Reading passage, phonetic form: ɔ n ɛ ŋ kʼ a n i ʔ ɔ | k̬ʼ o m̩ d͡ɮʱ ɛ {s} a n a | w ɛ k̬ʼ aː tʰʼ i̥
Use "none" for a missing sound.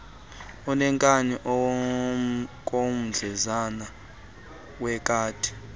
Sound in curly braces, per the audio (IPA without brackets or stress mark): z